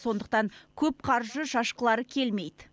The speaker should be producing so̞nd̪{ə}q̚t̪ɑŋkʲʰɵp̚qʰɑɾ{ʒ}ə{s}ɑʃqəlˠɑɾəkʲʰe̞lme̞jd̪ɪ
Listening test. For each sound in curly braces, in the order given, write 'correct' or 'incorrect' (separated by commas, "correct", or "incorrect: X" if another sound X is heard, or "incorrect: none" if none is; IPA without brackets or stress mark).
correct, correct, incorrect: ʃ